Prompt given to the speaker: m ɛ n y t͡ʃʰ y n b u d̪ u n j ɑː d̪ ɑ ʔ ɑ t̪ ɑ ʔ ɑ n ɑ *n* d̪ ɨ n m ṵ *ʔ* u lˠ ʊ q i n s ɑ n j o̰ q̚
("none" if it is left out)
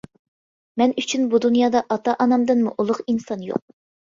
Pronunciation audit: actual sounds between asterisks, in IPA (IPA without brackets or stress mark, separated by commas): m, ʔ